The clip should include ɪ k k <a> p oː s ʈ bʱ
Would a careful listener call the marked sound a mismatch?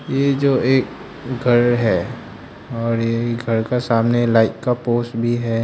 no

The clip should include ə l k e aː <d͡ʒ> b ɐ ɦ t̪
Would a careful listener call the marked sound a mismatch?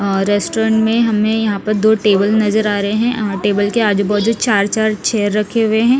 no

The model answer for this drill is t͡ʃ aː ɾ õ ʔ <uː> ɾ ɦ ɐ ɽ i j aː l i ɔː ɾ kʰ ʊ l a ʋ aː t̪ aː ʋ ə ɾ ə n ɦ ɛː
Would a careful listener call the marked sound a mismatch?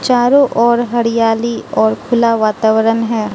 yes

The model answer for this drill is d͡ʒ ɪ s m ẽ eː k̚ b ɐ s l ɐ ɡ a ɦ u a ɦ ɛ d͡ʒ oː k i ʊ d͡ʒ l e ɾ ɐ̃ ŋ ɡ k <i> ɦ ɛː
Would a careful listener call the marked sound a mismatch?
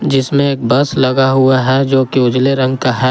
yes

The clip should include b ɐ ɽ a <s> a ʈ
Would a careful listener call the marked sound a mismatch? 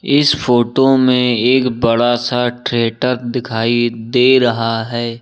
no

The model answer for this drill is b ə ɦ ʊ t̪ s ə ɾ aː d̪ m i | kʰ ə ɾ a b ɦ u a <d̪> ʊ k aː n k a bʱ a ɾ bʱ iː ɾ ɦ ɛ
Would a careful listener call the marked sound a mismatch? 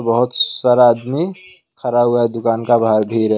no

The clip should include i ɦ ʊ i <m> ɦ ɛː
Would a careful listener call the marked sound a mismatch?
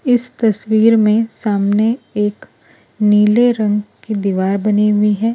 yes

